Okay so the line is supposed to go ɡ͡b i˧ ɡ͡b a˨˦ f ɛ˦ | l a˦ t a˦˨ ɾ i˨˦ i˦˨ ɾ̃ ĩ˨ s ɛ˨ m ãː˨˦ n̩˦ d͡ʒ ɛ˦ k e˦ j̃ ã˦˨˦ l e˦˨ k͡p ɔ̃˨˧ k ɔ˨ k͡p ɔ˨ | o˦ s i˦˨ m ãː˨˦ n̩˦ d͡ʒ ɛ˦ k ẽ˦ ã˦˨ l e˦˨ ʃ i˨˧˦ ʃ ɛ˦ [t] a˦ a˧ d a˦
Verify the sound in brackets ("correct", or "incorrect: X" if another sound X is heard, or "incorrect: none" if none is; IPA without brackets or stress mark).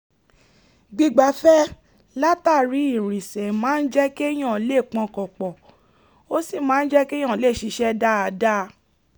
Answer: incorrect: d